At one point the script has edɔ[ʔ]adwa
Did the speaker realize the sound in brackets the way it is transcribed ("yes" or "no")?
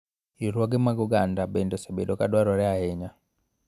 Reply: no